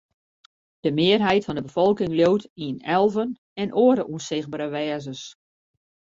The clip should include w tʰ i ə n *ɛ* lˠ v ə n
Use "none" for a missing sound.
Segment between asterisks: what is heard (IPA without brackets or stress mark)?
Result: ɛ